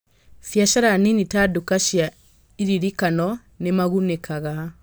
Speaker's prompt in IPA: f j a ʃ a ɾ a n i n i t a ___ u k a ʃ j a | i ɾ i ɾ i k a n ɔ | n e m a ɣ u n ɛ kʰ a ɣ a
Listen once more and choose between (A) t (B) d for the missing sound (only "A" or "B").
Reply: B